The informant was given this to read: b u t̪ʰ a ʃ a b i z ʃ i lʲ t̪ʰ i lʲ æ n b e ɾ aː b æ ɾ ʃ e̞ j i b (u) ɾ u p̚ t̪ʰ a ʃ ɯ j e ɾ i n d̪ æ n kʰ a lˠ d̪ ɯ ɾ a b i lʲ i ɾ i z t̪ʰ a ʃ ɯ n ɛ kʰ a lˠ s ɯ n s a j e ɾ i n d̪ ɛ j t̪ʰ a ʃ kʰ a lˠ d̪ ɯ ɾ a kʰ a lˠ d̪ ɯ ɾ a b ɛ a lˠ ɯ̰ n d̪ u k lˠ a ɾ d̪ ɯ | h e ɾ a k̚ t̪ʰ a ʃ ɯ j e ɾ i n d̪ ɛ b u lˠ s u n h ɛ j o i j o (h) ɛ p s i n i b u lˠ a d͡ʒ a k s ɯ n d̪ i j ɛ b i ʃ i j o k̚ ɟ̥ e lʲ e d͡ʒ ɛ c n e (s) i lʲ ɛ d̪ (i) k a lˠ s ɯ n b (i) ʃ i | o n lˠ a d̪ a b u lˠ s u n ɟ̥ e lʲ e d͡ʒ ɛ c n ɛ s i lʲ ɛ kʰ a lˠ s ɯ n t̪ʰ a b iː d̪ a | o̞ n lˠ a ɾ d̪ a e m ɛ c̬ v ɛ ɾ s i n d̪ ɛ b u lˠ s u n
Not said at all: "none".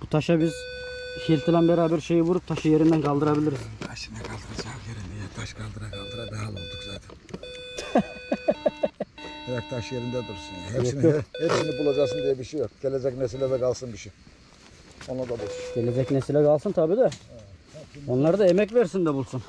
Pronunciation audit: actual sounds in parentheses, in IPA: u, h, s, ɛ, i

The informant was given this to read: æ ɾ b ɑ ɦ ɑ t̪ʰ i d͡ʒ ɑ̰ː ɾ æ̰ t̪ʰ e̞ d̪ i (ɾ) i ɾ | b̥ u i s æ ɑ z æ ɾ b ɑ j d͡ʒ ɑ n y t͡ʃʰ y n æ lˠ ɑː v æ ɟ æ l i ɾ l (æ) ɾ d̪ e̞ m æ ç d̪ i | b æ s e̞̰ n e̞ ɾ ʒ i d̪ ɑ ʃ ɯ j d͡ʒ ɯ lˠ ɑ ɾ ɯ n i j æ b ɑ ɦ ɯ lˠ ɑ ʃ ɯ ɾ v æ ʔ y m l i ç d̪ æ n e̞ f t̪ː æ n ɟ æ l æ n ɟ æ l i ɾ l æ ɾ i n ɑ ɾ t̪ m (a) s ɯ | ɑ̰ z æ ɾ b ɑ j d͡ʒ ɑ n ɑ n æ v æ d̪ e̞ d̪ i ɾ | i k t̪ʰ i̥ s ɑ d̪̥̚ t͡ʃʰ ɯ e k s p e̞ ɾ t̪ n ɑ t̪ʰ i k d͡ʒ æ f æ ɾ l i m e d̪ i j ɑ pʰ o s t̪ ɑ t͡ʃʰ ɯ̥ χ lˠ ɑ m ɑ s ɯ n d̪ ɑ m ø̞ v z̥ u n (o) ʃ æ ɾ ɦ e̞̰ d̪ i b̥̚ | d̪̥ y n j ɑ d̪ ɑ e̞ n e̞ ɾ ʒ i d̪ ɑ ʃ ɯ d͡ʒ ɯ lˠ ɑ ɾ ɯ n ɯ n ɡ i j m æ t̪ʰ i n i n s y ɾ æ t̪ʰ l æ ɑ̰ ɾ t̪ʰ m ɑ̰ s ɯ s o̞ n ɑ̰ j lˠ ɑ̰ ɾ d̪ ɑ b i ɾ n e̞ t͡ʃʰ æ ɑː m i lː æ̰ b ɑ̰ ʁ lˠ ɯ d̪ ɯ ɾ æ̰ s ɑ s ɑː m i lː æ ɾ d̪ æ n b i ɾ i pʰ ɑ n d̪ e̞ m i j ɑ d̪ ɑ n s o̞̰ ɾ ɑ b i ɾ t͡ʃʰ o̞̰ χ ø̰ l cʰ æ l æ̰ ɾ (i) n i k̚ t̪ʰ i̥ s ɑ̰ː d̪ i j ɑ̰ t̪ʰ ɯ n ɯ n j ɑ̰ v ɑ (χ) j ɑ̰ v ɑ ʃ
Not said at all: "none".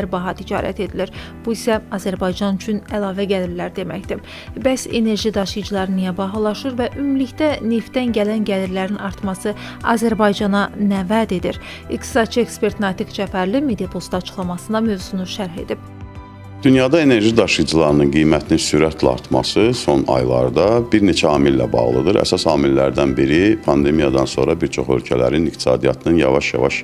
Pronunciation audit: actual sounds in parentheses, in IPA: l, æ, ɑ, u, i, ʃ

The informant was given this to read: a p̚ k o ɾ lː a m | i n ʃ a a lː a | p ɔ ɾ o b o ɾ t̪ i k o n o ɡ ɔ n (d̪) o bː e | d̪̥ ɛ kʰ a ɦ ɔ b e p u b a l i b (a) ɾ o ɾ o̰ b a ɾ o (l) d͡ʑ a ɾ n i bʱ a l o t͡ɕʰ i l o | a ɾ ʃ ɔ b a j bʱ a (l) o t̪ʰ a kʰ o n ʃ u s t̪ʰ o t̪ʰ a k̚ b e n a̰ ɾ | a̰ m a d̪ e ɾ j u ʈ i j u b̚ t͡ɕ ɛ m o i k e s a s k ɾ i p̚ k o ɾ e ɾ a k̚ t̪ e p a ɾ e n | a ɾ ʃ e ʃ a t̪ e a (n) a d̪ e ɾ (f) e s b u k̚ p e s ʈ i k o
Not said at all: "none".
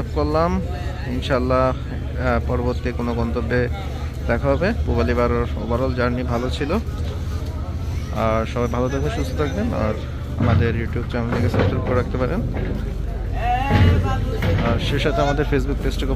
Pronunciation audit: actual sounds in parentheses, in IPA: t̪, a, l, l, m, f

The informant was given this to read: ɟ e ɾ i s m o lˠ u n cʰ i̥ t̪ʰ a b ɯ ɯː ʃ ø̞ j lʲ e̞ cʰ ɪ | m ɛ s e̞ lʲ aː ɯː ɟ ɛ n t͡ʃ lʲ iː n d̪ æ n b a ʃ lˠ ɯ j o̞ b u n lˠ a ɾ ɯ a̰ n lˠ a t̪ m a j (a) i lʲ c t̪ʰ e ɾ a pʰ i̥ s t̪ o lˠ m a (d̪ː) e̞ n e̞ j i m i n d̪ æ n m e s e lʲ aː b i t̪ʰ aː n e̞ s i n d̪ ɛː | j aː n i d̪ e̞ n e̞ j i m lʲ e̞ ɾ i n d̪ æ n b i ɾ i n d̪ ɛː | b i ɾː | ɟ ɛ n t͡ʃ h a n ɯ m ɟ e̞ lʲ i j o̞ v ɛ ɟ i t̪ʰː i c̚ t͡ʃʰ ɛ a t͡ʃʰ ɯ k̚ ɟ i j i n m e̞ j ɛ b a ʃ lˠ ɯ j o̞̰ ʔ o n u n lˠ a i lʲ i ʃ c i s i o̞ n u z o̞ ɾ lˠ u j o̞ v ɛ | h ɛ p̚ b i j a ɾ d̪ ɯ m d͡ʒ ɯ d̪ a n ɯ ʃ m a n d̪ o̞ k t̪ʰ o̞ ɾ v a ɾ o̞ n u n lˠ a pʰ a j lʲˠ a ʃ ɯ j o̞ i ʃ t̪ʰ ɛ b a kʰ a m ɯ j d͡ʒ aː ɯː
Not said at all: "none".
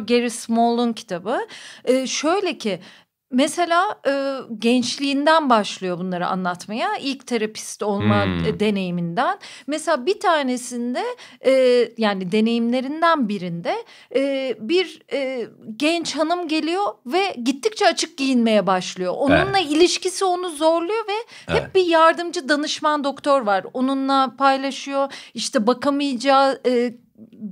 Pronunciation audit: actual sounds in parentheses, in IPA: a, d̪

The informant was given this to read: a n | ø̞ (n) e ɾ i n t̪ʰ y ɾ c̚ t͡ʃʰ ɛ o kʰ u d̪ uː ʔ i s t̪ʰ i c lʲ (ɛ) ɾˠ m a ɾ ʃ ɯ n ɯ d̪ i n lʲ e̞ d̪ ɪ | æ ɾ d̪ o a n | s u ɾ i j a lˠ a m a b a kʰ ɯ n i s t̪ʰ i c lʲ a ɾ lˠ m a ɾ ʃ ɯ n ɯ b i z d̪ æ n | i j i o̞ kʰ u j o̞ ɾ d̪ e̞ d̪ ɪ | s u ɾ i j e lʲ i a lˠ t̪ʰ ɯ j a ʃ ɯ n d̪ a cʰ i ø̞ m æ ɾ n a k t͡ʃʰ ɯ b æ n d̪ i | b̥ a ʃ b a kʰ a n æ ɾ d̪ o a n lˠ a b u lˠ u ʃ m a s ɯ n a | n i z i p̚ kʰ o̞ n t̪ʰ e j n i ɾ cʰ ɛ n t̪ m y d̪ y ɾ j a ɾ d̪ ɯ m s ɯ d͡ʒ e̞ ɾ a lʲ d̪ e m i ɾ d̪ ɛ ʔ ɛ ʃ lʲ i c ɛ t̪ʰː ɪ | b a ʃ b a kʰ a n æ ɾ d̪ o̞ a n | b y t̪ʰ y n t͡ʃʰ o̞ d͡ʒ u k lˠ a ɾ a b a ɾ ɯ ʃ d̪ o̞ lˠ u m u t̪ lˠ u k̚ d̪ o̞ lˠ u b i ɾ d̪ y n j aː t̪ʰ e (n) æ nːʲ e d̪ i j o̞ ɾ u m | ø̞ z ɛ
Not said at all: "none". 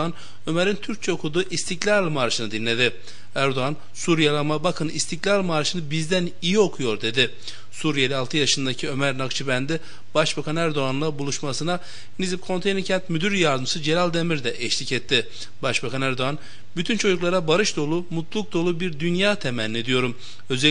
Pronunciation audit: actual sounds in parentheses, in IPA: m, a, m

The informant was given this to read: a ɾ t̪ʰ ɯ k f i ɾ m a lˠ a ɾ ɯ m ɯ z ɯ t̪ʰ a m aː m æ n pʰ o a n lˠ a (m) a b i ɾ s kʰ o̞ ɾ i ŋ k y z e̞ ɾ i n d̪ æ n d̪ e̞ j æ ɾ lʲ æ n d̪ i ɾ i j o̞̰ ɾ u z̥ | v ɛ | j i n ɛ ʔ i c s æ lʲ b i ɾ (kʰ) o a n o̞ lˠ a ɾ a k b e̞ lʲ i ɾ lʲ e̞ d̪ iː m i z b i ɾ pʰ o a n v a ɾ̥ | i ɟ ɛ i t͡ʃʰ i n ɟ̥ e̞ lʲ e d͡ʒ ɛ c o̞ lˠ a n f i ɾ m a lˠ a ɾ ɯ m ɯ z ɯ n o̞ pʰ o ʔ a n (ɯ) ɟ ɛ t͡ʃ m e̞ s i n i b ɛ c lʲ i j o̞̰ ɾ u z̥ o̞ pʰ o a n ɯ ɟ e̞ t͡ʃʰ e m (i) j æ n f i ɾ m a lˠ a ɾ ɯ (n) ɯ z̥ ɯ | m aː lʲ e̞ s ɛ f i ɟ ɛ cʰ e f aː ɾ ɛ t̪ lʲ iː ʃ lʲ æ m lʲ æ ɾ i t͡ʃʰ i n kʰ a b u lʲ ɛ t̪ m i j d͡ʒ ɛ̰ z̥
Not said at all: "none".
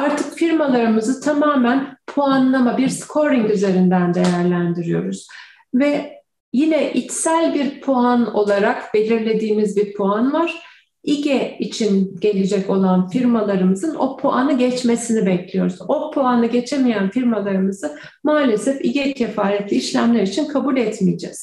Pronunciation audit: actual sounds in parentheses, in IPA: m, pʰ, ɯ, i, m

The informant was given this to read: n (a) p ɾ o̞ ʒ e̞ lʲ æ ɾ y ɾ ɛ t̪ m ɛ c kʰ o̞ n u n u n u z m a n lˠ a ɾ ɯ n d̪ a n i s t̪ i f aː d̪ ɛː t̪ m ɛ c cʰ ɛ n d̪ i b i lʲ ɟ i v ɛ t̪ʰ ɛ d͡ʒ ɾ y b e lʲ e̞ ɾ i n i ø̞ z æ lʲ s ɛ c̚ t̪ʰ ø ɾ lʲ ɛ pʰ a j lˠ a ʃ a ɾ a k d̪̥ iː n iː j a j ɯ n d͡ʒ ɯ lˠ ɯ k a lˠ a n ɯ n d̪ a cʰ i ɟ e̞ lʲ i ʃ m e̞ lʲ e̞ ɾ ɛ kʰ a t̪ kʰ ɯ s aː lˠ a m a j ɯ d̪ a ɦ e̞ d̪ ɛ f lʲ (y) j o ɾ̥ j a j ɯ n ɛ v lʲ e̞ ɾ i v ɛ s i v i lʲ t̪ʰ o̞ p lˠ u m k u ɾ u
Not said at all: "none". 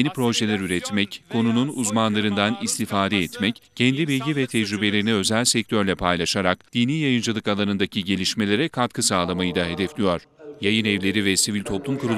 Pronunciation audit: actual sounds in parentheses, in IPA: i, i

